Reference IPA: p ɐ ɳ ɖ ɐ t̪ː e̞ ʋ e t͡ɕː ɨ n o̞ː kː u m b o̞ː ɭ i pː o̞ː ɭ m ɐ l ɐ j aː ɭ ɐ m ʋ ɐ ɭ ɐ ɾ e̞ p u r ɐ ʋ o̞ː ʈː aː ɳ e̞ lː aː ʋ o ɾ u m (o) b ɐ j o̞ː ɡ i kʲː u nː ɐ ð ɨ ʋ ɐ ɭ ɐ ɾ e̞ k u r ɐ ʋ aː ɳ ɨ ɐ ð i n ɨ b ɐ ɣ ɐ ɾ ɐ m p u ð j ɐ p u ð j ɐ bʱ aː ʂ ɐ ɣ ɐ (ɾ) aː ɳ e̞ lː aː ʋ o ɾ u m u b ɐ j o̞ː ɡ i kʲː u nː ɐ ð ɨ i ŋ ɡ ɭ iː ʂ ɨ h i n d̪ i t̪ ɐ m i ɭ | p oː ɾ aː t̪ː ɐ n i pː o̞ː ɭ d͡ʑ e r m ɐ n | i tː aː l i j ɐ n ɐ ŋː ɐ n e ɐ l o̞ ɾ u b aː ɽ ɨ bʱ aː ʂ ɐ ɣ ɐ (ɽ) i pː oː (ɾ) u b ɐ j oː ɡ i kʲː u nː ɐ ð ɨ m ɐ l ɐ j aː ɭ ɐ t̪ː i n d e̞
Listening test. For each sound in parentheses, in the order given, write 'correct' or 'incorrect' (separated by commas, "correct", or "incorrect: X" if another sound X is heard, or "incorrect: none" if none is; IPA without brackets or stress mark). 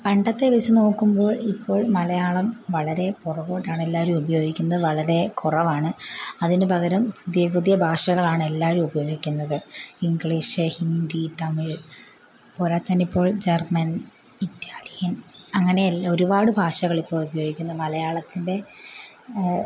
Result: incorrect: u, incorrect: ɭ, incorrect: ɭ, incorrect: ɭ